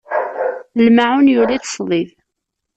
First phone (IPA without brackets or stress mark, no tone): l